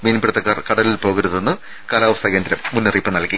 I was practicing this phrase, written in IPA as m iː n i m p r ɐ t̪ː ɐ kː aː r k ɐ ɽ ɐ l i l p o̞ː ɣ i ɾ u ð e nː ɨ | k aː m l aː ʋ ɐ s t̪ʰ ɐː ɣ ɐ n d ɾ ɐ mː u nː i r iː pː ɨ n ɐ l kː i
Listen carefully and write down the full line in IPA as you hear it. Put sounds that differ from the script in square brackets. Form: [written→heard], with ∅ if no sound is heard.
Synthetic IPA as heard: m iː n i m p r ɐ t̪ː ɐ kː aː r k ɐ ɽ ɐ l i l p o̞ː ɣ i ɾ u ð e nː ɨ | k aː [m→∅] l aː ʋ ɐ s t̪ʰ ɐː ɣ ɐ n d ɾ ɐ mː u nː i r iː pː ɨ n ɐ l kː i